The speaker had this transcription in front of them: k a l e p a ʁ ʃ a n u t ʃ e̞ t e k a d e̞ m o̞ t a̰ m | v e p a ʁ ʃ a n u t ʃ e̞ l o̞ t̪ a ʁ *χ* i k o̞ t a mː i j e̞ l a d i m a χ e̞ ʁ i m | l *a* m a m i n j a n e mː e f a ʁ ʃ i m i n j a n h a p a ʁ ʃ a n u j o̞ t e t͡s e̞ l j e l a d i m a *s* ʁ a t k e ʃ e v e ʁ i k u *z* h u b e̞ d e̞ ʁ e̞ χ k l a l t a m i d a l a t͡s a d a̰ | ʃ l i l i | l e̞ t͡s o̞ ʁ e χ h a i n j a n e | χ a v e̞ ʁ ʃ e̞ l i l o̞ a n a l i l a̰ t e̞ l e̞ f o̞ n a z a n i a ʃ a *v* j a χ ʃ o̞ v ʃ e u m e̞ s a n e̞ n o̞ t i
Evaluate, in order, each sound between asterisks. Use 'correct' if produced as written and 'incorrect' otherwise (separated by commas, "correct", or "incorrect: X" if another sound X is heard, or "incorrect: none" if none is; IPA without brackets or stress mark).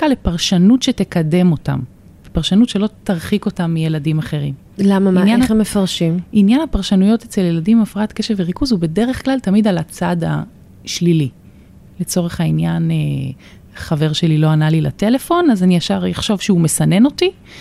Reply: correct, correct, incorrect: f, correct, incorrect: ʁ